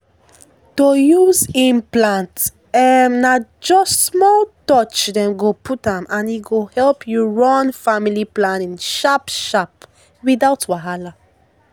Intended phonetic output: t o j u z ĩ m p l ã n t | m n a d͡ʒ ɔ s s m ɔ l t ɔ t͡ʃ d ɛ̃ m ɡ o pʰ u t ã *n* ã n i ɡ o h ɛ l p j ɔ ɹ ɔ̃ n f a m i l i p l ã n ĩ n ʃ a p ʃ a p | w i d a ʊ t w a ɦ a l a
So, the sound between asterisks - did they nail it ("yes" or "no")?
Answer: no